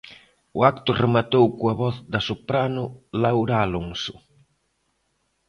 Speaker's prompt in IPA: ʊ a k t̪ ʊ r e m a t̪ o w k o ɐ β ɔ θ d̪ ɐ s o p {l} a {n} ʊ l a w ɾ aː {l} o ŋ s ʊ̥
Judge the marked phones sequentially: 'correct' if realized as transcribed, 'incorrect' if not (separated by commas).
incorrect, correct, correct